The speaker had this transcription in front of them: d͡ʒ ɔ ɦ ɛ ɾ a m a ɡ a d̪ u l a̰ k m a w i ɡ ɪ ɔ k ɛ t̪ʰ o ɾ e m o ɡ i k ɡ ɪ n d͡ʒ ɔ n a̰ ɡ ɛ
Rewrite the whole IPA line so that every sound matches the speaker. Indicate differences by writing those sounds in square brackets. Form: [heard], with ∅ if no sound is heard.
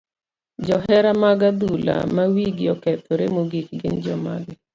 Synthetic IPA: d͡ʒ ɔ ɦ ɛ ɾ a m a ɡ a d̪ u l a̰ [∅] m a w i ɡ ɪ ɔ k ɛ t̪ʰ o ɾ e m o ɡ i k ɡ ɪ n d͡ʒ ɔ [m] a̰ ɡ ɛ